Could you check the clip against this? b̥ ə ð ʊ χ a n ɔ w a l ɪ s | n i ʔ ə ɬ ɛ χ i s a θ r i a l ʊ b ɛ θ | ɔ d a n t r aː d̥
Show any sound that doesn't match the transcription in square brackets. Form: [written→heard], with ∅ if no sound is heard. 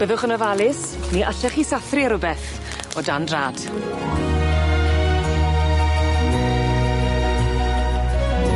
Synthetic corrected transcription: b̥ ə ð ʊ χ [a→ə] n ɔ [w→v] a l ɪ s | n i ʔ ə ɬ ɛ χ i s a θ r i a [l→ɾ] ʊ b ɛ θ | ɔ d a n [t→d] r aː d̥